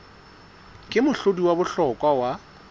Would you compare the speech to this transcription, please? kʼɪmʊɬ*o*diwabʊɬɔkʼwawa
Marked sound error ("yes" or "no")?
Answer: no